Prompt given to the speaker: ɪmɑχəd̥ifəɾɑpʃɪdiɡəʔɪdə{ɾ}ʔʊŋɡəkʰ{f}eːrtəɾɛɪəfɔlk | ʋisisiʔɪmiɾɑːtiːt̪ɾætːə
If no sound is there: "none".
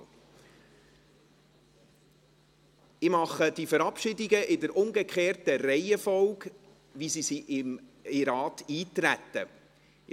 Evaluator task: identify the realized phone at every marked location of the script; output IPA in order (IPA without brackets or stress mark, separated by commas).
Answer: ɾ, χ